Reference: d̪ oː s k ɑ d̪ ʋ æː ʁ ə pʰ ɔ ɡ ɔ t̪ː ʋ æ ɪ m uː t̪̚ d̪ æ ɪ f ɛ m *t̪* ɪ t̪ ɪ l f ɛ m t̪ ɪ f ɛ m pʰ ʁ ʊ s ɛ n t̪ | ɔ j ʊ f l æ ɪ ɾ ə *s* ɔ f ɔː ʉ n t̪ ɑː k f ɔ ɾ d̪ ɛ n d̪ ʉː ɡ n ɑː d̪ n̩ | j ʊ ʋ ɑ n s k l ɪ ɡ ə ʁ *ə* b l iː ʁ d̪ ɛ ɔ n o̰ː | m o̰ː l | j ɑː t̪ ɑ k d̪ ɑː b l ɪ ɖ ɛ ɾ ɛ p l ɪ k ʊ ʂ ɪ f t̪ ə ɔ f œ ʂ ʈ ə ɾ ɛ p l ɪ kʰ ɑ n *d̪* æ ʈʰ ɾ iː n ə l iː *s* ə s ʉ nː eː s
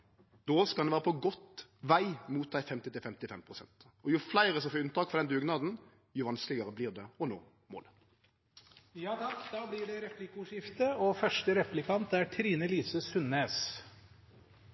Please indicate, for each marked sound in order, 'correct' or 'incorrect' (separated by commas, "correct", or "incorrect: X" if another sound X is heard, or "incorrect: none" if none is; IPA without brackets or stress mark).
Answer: correct, correct, correct, incorrect: t̪, correct